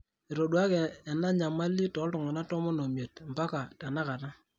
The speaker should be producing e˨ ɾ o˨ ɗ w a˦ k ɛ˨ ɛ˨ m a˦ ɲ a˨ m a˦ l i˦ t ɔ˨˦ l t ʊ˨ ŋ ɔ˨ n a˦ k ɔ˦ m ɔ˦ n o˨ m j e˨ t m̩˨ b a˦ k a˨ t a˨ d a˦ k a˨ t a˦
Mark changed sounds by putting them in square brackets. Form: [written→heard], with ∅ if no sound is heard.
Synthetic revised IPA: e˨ ɾ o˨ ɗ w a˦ k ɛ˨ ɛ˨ [m→n] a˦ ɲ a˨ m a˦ l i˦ t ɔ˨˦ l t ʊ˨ ŋ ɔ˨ n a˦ [k→t] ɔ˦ m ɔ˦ n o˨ m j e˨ t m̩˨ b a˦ k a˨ t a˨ [d→n] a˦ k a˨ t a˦

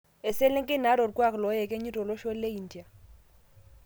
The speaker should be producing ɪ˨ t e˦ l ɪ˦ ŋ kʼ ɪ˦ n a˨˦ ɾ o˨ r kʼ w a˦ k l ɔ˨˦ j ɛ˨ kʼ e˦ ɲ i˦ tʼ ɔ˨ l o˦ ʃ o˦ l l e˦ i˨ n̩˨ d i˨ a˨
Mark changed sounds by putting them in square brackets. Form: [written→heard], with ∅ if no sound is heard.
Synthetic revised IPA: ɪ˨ [t→s] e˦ l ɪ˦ ŋ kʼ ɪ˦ n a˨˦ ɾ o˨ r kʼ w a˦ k l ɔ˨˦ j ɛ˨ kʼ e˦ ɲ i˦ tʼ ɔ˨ l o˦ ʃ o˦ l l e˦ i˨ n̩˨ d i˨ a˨

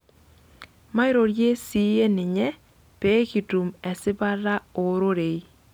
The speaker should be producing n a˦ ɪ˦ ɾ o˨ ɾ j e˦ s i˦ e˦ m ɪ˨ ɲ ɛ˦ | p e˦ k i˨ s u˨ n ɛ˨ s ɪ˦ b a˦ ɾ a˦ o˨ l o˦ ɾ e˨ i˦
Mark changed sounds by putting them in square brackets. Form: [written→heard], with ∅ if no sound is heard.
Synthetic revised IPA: [n→m] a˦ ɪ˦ ɾ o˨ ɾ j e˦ s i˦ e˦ [m→n] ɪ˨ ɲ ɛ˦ | p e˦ k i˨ [s→t] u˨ [n→m] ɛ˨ s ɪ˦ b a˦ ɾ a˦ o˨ [l→ɾ] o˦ ɾ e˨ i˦

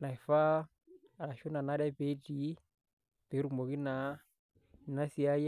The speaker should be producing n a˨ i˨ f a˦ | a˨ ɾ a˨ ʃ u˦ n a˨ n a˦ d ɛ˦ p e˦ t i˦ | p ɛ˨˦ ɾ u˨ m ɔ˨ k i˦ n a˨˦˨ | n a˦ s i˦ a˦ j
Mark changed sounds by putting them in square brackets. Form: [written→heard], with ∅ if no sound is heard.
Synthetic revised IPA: n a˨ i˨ f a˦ | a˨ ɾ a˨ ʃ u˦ n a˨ n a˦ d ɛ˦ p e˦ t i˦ | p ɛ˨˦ ɾ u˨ m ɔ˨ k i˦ n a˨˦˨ | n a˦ s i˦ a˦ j

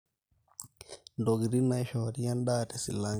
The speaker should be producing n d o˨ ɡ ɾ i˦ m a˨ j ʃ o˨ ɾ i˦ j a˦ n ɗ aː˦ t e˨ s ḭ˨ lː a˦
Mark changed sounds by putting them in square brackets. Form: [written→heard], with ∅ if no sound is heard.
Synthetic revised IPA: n d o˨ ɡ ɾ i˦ [m→n] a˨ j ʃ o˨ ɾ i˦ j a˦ n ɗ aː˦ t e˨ s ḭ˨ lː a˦

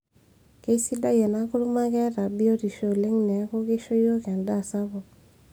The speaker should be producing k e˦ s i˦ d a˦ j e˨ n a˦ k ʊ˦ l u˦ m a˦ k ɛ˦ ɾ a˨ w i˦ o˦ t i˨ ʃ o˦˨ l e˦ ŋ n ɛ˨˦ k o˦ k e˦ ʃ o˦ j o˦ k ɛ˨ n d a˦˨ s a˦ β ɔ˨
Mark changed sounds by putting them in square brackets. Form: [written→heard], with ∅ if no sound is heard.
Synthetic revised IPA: k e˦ s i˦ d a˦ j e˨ n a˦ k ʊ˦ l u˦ m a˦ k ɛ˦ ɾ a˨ [w→b] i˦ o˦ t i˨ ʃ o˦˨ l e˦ ŋ n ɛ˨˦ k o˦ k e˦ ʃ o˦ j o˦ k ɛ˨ n d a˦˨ s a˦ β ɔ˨

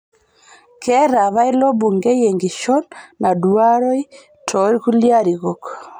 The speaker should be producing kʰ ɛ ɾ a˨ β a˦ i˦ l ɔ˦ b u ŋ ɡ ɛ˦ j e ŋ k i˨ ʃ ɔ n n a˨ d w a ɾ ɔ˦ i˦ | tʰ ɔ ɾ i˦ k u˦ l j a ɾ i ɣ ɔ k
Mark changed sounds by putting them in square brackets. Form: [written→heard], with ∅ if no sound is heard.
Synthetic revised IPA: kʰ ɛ ɾ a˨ β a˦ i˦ l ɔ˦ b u ŋ ɡ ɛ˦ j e ŋ [k→ɡ] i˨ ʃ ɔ n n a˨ d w a ɾ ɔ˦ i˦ | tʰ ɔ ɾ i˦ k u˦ l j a ɾ i ɣ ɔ k

